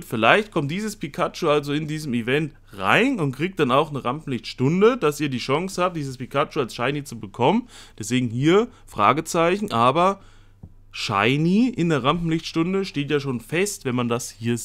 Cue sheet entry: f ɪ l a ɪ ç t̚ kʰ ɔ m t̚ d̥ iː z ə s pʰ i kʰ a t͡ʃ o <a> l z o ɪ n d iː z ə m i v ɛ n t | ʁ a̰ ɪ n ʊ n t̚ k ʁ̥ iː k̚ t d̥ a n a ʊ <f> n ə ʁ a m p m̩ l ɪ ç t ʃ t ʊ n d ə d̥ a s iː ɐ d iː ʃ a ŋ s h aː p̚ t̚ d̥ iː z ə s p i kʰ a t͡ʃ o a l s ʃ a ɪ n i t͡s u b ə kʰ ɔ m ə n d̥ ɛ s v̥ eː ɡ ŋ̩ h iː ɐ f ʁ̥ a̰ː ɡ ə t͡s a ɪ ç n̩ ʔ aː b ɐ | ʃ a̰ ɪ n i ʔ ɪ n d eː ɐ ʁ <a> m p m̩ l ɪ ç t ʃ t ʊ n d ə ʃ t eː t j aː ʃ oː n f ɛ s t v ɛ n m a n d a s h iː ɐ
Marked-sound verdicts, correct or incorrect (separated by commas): correct, incorrect, correct